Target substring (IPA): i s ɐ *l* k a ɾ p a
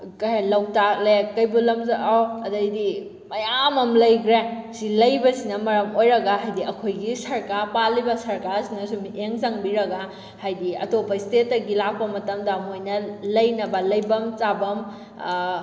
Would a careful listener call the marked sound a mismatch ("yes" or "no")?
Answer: yes